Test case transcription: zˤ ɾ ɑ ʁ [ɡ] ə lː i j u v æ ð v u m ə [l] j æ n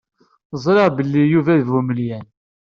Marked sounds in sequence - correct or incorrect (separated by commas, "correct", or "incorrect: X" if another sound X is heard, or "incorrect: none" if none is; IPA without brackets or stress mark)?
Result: incorrect: b, correct